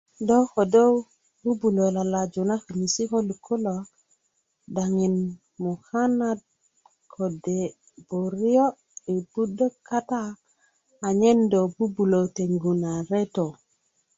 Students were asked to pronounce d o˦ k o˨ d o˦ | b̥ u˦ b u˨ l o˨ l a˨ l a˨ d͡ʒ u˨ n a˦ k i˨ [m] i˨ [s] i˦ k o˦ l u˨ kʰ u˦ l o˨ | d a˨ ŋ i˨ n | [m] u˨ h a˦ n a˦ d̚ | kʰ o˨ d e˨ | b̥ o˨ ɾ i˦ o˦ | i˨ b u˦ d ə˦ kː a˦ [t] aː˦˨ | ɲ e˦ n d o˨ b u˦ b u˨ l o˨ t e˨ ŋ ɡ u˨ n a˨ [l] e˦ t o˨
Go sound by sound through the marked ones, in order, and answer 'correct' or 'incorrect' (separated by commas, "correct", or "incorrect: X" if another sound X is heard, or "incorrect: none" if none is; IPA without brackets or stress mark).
incorrect: n, correct, correct, correct, incorrect: ɾ